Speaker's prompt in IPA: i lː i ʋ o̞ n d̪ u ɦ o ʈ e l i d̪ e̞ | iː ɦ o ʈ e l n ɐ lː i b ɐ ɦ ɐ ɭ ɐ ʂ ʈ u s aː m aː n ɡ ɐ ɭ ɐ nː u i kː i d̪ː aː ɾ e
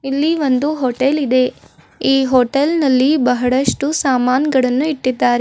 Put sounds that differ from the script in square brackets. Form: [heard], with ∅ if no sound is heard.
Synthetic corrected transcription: i lː i ʋ o̞ n d̪ u ɦ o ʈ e l i d̪ e̞ | iː ɦ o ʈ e l n ɐ lː i b ɐ ɦ ɐ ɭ ɐ ʂ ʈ u s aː m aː n ɡ ɐ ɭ ɐ nː u i [ʈː] i d̪ː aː ɾ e

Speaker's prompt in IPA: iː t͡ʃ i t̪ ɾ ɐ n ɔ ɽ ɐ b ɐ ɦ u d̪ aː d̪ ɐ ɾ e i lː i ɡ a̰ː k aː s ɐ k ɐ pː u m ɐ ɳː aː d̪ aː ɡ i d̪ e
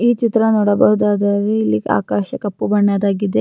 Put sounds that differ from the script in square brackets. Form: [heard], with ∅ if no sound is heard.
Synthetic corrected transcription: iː t͡ʃ i t̪ ɾ ɐ n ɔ ɽ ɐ b ɐ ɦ u d̪ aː d̪ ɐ ɾ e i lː i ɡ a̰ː k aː [ʃ] ɐ k ɐ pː u [b] ɐ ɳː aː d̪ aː ɡ i d̪ e

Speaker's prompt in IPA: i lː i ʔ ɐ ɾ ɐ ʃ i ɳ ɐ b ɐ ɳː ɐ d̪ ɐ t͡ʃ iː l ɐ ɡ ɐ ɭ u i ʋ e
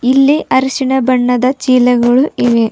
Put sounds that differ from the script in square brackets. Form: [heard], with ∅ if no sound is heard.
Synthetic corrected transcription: i lː i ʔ ɐ ɾ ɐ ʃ i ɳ ɐ b ɐ ɳː ɐ d̪ ɐ t͡ʃ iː l ɐ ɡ ɐ ɭ u i ʋ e

